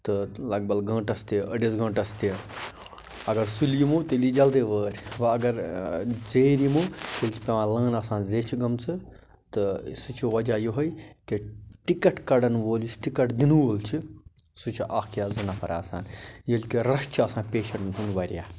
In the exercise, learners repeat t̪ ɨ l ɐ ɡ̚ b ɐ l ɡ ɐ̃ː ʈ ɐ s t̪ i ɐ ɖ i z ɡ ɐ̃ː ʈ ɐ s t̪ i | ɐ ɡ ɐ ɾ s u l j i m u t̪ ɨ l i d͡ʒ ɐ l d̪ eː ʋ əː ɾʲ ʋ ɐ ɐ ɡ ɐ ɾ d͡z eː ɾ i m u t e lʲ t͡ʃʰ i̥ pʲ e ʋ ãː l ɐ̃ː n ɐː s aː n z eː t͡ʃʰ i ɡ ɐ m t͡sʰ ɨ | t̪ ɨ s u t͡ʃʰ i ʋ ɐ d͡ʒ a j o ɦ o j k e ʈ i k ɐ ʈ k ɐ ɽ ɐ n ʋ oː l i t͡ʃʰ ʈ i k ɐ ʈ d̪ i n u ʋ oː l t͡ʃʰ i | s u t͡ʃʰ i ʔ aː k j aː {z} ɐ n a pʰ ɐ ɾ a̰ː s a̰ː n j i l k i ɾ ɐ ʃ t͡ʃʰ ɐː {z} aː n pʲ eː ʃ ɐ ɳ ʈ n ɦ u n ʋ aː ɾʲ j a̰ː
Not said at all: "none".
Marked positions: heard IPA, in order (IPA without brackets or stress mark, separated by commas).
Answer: z, s